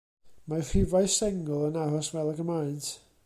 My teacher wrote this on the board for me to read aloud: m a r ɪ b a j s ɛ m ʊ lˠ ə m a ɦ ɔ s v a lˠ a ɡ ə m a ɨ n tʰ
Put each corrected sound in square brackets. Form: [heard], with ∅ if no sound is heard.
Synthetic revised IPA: m a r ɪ [v] a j s ɛ [ŋ] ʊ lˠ ə [n] a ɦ ɔ s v [ɛ] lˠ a ɡ ə m a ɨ n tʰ